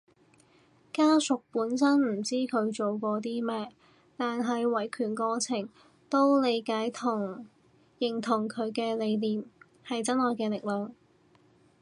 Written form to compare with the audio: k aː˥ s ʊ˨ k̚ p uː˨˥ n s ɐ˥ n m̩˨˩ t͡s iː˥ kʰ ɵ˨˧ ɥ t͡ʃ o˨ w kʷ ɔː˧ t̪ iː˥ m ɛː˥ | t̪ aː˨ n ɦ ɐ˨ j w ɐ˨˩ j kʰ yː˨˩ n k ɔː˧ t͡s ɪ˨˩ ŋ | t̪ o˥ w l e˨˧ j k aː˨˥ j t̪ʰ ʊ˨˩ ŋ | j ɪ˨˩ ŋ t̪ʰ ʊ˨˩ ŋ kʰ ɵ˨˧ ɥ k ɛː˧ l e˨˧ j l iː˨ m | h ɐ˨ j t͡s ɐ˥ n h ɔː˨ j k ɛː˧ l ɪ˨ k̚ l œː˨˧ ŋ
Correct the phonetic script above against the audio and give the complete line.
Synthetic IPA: k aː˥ s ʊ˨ k̚ p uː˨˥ n s ɐ˥ n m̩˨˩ t͡s iː˥ kʰ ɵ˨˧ ɥ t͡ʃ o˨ w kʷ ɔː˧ t̪ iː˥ m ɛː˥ | t̪ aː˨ n ɦ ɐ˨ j w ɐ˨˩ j kʰ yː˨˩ n k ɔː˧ t͡sʰ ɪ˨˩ ŋ | t̪ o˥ w l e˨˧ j k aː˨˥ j t̪ʰ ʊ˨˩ ŋ | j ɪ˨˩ ŋ t̪ʰ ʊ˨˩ ŋ kʰ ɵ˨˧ ɥ k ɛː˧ l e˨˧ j l iː˨ m | h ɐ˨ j t͡s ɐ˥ n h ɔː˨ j k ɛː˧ l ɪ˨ k̚ l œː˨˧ ŋ

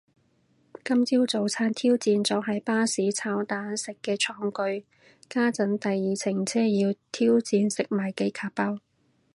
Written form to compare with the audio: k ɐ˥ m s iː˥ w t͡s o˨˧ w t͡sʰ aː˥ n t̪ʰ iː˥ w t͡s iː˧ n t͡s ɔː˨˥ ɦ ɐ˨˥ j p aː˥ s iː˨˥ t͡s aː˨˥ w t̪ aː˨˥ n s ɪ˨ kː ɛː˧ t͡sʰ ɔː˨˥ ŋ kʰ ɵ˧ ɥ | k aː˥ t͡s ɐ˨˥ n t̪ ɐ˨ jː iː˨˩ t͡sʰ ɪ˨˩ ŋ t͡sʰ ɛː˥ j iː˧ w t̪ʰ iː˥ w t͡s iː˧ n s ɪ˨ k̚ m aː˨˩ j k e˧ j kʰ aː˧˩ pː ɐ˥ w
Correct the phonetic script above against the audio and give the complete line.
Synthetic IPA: k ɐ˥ m t͡s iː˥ w t͡s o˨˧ w t͡sʰ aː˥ n t̪ʰ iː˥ w t͡s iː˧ n t͡s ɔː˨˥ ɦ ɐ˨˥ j p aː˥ s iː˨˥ t͡sʰ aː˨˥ w t̪ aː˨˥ n s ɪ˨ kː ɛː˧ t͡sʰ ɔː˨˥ ŋ k ɵ˧ ɥ | k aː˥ t͡s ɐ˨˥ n t̪ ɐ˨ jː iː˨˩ t͡sʰ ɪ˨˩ ŋ t͡sʰ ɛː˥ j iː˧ w t̪ʰ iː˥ w t͡s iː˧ n s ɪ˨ k̚ m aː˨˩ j k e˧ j kʰ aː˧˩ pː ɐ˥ w

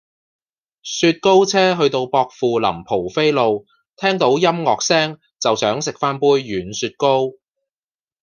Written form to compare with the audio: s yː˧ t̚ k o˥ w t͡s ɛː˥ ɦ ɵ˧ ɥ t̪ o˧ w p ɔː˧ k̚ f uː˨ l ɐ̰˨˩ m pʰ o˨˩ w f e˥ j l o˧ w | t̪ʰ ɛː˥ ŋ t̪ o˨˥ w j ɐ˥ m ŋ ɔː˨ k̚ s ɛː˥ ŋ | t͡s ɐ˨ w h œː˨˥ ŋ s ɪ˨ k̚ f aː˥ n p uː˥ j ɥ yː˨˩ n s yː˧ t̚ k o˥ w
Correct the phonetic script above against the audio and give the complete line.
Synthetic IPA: s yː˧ t̚ k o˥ w t͡sʰ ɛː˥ ɦ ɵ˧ ɥ t̪ o˧ w p ɔː˧ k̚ f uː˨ l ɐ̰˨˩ m pʰ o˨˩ w f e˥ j l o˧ w | t̪ʰ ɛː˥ ŋ t̪ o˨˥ w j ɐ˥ m ŋ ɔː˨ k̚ s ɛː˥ ŋ | t͡s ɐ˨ w s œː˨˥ ŋ s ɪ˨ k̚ f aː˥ n p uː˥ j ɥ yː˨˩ n s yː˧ t̚ k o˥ w

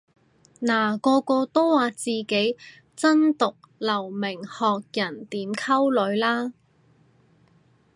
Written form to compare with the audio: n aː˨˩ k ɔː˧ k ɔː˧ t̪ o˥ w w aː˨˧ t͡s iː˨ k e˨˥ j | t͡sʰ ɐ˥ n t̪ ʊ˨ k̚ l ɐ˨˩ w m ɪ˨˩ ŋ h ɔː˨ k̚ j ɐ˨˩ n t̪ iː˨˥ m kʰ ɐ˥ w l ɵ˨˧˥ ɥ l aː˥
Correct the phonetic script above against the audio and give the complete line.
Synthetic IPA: n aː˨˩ k ɔː˧ k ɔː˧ t̪ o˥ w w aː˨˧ t͡s iː˨ k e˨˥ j | t͡s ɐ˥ n t̪ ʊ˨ k̚ l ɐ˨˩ w m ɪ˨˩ ŋ h ɔː˨ k̚ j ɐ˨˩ n t̪ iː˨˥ m kʰ ɐ˥ w l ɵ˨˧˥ ɥ l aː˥

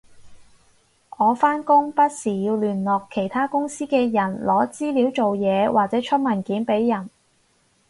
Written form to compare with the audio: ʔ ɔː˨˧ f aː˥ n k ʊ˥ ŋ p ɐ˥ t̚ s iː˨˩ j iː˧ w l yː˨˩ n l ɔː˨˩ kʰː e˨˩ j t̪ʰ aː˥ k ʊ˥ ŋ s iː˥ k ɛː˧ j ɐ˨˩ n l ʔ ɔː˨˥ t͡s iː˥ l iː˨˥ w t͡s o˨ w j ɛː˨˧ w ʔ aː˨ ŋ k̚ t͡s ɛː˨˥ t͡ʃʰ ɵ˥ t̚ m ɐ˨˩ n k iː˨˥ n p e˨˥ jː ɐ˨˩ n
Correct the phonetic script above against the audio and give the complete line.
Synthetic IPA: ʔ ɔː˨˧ f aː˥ n k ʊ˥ ŋ p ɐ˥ t̚ s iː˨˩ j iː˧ w l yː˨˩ n l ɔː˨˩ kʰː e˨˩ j t̪ʰ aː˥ k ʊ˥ ŋ s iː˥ k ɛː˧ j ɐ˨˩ n l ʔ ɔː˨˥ t͡s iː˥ l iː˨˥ w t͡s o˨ w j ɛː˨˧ w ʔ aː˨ k̚ t͡s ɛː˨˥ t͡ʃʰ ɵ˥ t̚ m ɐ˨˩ n k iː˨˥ n p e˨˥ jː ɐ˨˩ n

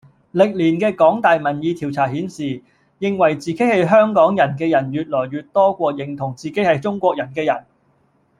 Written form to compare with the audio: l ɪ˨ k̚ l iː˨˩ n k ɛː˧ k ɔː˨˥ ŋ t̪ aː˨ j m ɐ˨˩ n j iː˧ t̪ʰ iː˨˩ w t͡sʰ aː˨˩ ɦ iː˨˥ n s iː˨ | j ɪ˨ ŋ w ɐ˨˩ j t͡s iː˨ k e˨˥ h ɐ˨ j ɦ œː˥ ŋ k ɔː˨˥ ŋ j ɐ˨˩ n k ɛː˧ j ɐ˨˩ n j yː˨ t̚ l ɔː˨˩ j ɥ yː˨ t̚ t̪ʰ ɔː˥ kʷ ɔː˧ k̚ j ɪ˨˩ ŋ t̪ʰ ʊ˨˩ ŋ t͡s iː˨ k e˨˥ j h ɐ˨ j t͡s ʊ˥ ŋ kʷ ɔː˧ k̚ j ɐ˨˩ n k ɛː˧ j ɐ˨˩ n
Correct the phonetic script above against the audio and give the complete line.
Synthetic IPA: l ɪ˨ k̚ l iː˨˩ n k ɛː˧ k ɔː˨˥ ŋ t̪ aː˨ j m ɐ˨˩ n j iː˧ t̪ʰ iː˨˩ w t͡sʰ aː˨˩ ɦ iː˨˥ n s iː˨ | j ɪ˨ ŋ w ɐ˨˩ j t͡s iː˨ k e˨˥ h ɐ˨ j ɦ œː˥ ŋ k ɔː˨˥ ŋ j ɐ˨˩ n k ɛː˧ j ɐ˨˩ n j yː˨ t̚ l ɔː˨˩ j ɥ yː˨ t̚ t̪ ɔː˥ kʷ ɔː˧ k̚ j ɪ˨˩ ŋ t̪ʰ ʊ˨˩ ŋ t͡s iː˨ k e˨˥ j h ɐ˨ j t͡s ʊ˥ ŋ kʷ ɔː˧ k̚ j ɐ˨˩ n k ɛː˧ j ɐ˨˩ n

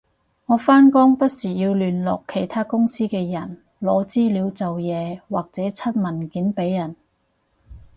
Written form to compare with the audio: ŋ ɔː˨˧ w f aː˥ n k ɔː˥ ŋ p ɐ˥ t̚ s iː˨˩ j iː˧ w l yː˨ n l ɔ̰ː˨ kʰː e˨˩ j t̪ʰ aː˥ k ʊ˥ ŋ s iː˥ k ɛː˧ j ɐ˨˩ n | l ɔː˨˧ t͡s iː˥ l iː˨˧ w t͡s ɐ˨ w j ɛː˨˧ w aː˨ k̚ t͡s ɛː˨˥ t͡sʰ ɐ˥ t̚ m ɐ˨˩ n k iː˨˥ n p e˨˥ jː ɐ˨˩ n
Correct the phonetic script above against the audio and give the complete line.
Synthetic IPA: ŋ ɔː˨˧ f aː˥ n k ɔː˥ ŋ p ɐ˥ t̚ s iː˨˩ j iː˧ w l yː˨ n l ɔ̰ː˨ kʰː e˨˩ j t̪ʰ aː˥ k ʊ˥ ŋ s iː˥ k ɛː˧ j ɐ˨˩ n | l ɔː˨˧ t͡s iː˥ l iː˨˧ w t͡s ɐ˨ w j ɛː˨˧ w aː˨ k̚ t͡s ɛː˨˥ t͡sʰ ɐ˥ t̚ m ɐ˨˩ n k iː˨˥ n p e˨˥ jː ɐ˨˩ n

